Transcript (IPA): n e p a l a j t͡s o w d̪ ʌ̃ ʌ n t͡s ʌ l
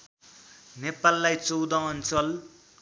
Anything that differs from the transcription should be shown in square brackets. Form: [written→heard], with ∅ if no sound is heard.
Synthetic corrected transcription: n e p a [l→lː] a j t͡s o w d̪ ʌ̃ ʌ n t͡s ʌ l